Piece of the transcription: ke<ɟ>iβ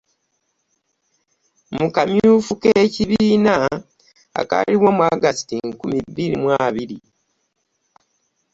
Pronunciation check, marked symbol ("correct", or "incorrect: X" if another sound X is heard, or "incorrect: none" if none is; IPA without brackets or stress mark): incorrect: c